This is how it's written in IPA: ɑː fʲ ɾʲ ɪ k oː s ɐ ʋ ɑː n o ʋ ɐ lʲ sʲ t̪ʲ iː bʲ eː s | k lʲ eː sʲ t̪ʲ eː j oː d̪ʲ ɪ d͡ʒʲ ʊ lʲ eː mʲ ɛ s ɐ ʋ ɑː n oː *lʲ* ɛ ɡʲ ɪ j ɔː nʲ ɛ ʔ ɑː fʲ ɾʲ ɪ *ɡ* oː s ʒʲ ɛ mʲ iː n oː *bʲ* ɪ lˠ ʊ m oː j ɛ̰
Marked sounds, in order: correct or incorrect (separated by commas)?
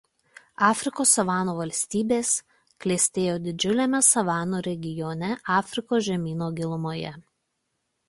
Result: incorrect, incorrect, incorrect